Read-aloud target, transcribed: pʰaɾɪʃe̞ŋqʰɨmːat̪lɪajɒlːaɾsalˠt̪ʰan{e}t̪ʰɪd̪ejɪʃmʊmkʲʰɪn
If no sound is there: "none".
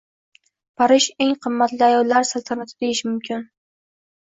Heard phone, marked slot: a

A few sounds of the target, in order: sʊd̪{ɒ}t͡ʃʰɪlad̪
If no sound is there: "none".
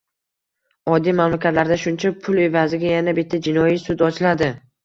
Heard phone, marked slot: ɒ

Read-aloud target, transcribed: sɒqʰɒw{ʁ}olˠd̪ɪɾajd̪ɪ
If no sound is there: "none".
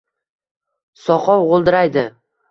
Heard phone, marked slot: ʁ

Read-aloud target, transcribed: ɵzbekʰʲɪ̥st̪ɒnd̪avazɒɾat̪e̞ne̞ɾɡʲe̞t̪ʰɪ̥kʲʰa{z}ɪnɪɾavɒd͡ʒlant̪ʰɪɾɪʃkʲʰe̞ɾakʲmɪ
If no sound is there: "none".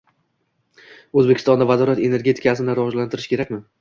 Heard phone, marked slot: s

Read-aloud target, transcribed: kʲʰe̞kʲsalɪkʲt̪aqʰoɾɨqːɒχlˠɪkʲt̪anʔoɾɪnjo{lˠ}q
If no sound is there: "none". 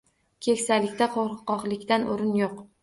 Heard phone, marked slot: none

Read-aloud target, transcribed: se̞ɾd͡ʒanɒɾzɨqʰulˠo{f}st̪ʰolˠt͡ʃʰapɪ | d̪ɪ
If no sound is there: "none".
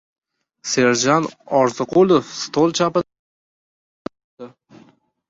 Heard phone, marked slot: f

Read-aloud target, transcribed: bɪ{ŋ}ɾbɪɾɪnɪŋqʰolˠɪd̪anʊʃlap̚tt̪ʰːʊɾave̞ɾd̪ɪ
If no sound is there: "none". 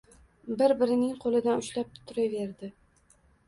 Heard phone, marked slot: none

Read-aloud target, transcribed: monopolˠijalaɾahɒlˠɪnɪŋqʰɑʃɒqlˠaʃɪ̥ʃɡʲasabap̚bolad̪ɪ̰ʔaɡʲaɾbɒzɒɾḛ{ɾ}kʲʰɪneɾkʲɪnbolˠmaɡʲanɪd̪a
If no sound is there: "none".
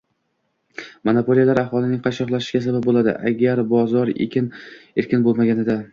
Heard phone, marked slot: none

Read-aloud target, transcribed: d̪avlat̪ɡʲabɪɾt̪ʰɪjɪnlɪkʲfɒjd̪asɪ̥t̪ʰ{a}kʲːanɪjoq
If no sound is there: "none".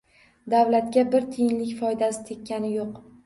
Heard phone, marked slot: e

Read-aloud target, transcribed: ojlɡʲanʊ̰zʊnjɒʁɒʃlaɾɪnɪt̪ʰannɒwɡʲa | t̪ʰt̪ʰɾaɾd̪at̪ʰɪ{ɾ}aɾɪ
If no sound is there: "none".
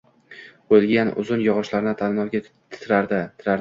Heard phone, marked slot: ɾ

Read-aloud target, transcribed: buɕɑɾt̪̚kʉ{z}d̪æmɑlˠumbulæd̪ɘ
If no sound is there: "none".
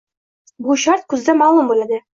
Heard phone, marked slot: z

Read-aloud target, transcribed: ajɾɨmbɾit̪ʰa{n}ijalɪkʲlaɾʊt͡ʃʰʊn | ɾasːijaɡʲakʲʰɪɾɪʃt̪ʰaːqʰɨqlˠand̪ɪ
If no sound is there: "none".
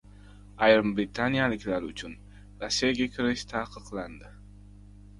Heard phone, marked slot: n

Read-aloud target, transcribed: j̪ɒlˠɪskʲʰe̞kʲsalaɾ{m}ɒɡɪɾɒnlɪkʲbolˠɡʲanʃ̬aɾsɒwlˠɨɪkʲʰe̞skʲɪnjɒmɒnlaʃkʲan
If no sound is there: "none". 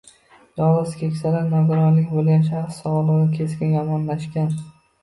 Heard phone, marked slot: n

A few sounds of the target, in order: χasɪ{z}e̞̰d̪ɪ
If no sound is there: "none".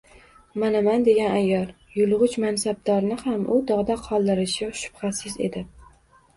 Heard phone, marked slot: z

